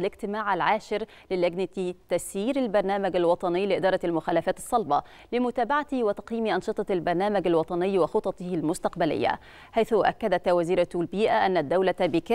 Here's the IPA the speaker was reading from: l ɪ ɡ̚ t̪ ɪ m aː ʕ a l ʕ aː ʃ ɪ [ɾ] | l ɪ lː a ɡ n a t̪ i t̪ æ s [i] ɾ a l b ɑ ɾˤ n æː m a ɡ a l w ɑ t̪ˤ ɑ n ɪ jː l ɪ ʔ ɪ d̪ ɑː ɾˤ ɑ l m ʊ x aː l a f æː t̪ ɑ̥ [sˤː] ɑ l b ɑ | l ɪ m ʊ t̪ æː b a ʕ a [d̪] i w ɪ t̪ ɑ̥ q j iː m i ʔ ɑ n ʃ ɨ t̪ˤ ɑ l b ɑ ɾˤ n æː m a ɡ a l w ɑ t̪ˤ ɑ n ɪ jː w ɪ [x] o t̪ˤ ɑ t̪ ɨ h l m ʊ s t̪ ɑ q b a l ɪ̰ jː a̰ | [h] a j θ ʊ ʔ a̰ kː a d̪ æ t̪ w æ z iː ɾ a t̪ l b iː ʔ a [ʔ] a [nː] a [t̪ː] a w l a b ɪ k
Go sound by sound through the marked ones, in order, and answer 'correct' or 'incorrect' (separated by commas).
correct, incorrect, correct, incorrect, correct, incorrect, correct, correct, incorrect